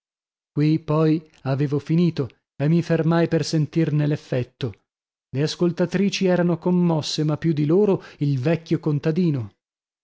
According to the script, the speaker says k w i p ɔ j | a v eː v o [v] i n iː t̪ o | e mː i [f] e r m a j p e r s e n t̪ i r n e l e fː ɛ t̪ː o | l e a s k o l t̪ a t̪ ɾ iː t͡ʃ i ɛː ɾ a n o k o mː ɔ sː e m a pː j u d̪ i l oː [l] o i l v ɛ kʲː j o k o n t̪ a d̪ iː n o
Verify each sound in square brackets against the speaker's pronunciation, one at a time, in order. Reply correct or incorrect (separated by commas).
incorrect, correct, incorrect